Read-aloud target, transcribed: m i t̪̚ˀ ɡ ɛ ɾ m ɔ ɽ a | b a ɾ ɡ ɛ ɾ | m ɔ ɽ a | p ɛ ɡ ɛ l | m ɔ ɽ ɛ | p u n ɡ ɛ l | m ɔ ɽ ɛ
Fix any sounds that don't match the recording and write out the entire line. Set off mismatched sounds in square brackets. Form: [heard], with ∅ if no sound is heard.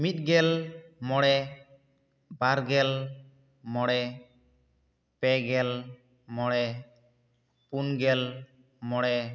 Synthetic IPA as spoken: m i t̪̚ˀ ɡ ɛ [l] m ɔ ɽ [ɛ] | b a ɾ ɡ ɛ [l] | m ɔ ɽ [ɛ] | p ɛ ɡ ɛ l | m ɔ ɽ ɛ | p u n ɡ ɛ l | m ɔ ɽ ɛ